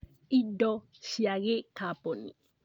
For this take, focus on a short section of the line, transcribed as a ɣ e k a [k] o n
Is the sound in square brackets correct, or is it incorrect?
incorrect